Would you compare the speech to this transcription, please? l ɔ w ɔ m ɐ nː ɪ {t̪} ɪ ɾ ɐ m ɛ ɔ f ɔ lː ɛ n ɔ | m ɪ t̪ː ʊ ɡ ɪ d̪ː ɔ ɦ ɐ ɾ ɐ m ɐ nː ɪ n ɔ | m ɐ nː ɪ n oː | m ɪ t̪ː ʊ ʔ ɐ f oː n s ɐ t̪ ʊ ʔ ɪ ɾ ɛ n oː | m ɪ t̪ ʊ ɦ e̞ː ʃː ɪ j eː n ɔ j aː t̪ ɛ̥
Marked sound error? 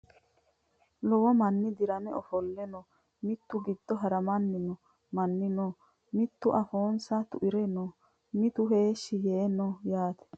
yes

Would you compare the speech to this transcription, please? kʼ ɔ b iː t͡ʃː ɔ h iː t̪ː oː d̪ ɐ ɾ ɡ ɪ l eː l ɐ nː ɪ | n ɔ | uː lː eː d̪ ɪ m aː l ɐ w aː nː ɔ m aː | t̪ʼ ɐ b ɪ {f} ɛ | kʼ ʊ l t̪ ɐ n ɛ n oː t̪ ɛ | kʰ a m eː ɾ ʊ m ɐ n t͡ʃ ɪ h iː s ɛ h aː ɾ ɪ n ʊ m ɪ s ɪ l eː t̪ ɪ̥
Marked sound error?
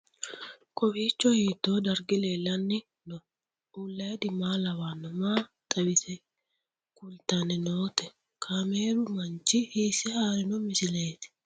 yes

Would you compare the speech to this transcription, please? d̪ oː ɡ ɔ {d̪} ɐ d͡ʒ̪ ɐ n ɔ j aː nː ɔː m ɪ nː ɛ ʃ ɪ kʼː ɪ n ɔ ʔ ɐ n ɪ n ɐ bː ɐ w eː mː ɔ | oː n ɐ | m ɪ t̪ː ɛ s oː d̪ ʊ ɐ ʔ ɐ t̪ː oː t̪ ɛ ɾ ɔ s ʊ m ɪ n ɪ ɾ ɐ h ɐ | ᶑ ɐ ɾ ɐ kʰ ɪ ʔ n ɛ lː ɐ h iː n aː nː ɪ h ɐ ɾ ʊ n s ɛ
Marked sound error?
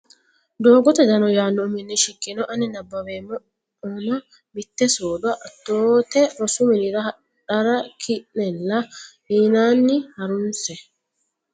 yes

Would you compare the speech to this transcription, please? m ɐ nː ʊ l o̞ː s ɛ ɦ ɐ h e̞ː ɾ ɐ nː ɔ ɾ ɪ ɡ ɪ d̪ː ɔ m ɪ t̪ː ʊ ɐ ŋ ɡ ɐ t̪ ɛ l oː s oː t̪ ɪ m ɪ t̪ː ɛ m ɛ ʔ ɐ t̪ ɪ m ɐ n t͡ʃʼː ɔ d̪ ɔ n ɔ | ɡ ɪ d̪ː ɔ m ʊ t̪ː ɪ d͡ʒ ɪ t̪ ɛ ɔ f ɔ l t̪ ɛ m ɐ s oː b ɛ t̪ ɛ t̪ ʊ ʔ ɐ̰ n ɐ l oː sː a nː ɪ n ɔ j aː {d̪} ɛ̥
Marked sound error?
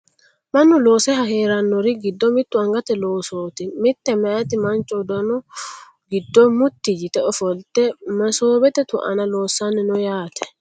yes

